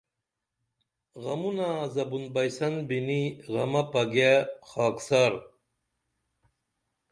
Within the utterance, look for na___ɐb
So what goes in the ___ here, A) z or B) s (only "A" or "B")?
A